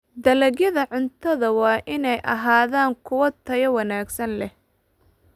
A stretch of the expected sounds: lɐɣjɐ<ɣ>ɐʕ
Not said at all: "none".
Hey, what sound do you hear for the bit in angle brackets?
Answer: ð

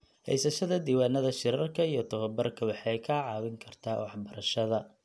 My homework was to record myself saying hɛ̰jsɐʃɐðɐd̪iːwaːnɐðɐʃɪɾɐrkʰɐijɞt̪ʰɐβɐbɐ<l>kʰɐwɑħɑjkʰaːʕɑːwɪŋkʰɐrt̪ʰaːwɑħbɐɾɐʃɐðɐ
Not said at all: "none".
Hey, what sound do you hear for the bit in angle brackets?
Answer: r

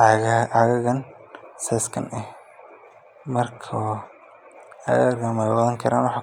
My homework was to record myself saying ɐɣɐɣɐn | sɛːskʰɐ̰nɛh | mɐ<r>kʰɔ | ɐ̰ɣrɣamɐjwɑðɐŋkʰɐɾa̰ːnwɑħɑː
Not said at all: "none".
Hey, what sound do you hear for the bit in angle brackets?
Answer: r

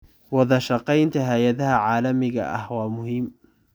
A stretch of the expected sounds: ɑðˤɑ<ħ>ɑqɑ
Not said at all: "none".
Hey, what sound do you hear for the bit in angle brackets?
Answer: ʃ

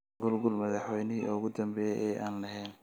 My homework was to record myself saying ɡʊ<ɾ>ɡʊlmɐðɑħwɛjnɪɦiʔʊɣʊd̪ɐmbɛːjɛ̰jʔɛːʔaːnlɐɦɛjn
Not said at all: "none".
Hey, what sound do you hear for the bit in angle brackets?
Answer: l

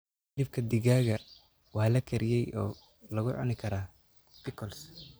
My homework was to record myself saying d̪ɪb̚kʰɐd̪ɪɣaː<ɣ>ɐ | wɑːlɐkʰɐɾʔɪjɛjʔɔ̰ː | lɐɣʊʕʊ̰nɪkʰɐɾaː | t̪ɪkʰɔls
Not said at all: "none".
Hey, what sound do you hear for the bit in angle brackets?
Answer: ɣ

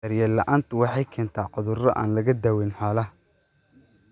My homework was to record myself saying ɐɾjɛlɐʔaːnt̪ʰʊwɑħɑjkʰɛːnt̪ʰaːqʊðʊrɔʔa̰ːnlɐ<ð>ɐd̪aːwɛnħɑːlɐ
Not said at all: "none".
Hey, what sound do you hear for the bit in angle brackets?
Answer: ɣ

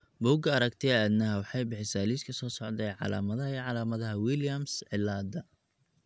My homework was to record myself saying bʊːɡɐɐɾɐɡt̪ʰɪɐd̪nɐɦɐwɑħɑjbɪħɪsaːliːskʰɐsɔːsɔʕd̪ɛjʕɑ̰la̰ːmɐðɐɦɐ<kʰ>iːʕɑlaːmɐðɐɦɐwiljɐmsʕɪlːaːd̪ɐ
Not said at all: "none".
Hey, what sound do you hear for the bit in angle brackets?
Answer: none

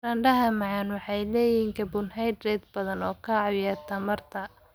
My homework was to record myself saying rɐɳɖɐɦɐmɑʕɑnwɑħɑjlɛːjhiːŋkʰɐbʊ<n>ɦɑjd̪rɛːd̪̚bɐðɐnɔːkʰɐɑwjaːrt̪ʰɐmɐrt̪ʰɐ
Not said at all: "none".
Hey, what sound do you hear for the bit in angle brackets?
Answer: n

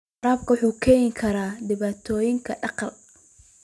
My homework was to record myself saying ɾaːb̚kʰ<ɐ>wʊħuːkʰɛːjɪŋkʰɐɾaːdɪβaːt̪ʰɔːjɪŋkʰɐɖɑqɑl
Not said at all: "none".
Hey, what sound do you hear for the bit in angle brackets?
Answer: ɐ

